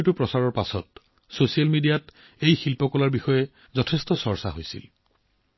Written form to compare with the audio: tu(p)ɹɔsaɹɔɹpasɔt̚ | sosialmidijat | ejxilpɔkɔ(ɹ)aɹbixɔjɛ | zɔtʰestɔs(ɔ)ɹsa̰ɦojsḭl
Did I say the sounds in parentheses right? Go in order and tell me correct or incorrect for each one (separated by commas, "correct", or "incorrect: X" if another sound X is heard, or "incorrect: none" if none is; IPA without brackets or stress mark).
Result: correct, incorrect: l, correct